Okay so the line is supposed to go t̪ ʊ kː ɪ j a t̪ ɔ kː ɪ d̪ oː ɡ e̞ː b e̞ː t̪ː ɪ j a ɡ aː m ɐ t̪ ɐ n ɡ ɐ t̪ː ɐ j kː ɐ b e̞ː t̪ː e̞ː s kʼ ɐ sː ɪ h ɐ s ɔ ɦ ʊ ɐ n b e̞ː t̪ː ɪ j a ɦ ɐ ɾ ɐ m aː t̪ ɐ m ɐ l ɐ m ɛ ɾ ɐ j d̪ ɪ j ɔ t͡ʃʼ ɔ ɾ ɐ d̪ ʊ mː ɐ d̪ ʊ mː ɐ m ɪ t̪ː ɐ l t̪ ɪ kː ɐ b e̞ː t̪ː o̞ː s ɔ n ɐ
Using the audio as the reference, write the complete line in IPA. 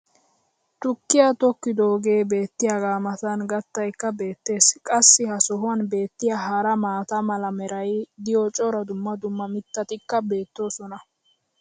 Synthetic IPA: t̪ ʊ kː ɪ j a t̪ ɔ kː ɪ d̪ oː ɡ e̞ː b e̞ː t̪ː ɪ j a ɡ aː m ɐ t̪ ɐ n ɡ ɐ t̪ː ɐ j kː ɐ b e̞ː t̪ː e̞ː s kʼ ɐ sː ɪ h ɐ s ɔ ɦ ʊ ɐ n b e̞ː t̪ː ɪ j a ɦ ɐ ɾ ɐ m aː t̪ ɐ m ɐ l ɐ m ɛ ɾ ɐ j d̪ ɪ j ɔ t͡ʃʼ ɔ ɾ ɐ d̪ ʊ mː ɐ d̪ ʊ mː ɐ m ɪ t̪ː ɐ t̪ ɪ kː ɐ b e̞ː t̪ː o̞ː s ɔ n ɐ

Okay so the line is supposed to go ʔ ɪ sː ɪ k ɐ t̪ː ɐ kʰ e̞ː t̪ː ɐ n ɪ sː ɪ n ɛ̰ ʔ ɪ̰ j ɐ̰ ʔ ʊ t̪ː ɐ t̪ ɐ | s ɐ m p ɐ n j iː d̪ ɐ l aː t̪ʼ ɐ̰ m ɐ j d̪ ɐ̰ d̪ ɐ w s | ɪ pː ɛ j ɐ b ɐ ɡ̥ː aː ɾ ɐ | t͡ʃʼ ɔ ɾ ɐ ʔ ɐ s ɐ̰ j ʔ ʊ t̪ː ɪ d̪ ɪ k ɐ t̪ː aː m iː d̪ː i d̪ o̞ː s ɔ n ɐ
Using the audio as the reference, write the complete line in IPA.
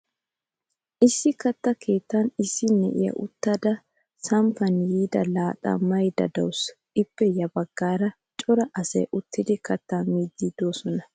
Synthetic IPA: ʔ ɪ sː ɪ k ɐ t̪ː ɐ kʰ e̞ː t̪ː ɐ n ɪ sː ɪ n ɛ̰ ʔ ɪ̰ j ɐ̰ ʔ ʊ t̪ː ɐ d̪ ɐ | s ɐ m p ɐ n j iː d̪ ɐ l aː t̪ʼ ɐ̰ m ɐ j d̪ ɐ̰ d̪ ɐ w s | ɪ pː ɛ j ɐ b ɐ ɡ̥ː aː ɾ ɐ | t͡ʃʼ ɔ ɾ ɐ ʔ ɐ s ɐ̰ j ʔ ʊ t̪ː ɪ d̪ ɪ k ɐ t̪ː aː m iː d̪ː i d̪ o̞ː s ɔ n ɐ

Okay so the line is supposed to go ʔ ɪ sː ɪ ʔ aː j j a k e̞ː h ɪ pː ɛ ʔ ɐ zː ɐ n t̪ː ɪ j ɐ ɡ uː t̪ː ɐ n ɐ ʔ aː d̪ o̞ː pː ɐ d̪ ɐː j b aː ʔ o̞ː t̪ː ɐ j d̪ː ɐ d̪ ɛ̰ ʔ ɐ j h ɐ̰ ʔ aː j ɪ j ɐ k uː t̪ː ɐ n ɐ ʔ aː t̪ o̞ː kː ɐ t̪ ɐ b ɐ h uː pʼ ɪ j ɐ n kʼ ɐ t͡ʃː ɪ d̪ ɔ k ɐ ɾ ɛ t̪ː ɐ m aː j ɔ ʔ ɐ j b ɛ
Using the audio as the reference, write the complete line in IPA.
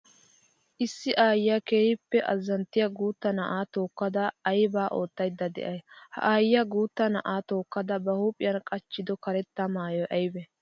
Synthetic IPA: ʔ ɪ sː ɪ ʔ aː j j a k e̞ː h ɪ pː ɛ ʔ ɐ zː ɐ n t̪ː ɪ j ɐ ɡ uː t̪ː ɐ n ɐ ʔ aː t̪ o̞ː kː ɐ d̪ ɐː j b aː ʔ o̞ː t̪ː ɐ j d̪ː ɐ d̪ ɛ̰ ʔ ɐ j h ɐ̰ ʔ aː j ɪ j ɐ ɡ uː t̪ː ɐ n ɐ ʔ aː t̪ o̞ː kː ɐ d̪ ɐ b ɐ h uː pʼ ɪ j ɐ n kʼ ɐ t͡ʃː ɪ d̪ ɔ k ɐ ɾ ɛ t̪ː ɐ m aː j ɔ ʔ ɐ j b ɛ

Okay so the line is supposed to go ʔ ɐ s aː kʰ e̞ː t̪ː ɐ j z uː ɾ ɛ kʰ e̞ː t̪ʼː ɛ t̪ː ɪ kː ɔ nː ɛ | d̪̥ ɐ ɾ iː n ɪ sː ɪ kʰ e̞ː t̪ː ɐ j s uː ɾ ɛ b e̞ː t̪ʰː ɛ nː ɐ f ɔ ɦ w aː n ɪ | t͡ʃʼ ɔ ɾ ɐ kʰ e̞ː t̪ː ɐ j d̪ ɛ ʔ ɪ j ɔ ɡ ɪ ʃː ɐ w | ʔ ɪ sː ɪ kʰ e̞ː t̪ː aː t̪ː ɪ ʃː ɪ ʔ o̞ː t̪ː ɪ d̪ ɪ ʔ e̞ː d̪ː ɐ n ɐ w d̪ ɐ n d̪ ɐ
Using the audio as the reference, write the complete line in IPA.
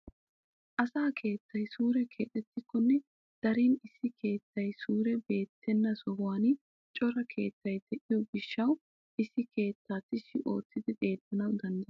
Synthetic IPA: ʔ ɐ s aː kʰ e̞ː t̪ː ɐ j s uː ɾ ɛ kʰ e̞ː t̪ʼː ɛ t̪ː ɪ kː ɔ nː ɛ | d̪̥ ɐ ɾ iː n ɪ sː ɪ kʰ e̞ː t̪ː ɐ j s uː ɾ ɛ b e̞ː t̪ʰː ɛ nː ɐ s ɔ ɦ w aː n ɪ | t͡ʃʼ ɔ ɾ ɐ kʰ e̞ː t̪ː ɐ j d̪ ɛ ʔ ɪ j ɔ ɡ ɪ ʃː ɐ w | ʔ ɪ sː ɪ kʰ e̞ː t̪ː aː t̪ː ɪ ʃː ɪ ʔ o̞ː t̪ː ɪ d̪ ɪ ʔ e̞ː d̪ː ɐ n ɐ w d̪ ɐ n d̪ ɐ

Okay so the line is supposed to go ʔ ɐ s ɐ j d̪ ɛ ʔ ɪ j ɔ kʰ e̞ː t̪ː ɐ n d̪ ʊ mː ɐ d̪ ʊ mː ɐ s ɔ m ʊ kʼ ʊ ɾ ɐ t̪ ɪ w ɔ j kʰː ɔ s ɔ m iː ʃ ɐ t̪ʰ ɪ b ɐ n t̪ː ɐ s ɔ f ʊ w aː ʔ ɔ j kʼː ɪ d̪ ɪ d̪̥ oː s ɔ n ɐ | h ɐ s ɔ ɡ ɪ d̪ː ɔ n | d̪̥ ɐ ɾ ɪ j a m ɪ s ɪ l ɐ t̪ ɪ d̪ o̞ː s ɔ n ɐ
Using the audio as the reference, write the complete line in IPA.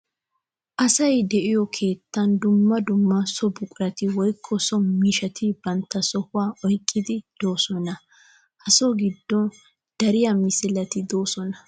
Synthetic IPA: ʔ ɐ s ɐ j d̪ ɛ ʔ ɪ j ɔ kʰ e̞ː t̪ː ɐ n d̪ ʊ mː ɐ d̪ ʊ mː ɐ s ɔ b ʊ kʼ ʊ ɾ ɐ t̪ ɪ w ɔ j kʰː ɔ s ɔ m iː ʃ ɐ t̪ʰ ɪ b ɐ n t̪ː ɐ s ɔ h ʊ w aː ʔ ɔ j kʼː ɪ d̪ ɪ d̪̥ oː s ɔ n ɐ | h ɐ s ɔ ɡ ɪ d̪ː ɔ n | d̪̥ ɐ ɾ ɪ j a m ɪ s ɪ l ɐ t̪ ɪ d̪ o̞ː s ɔ n ɐ

